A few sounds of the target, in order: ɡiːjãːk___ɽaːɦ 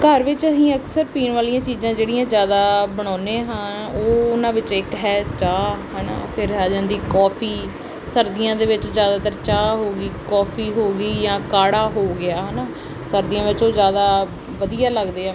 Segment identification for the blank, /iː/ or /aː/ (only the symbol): aː